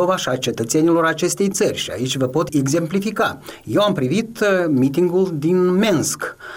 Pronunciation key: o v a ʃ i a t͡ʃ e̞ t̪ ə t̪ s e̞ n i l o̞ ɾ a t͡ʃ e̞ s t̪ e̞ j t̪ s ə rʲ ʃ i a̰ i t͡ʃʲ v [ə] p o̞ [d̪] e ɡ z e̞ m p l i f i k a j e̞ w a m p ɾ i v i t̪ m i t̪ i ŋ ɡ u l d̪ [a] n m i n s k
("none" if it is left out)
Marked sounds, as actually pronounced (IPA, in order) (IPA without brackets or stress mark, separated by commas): ə, t̪, i